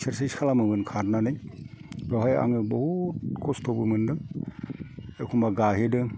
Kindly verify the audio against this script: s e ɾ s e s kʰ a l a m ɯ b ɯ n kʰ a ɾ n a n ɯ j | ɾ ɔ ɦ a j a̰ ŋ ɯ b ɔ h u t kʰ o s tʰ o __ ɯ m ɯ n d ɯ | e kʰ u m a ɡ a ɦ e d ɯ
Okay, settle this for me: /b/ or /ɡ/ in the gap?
b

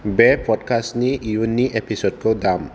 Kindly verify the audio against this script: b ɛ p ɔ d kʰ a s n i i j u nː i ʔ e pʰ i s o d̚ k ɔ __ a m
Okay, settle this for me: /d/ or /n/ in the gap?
d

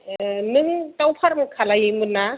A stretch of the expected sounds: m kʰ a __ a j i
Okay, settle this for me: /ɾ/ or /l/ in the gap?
l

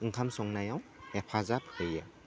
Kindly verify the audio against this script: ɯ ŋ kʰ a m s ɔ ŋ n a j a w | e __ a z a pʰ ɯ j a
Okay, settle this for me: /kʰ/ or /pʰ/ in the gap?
pʰ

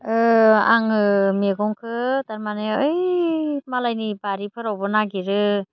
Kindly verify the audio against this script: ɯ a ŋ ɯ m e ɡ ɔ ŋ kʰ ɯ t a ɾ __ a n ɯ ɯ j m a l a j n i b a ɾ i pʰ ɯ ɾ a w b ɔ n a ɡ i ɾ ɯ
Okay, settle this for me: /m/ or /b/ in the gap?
m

